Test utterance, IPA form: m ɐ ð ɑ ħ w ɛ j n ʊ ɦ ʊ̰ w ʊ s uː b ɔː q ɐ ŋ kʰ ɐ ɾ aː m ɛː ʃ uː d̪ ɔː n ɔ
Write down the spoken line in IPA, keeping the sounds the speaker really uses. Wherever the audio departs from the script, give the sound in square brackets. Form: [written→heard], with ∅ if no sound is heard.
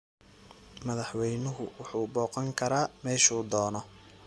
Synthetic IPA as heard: m ɐ ð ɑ ħ w ɛ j n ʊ ɦ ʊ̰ w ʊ [s→ħ] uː b ɔː q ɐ ŋ kʰ ɐ ɾ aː m ɛː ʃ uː d̪ ɔː n ɔ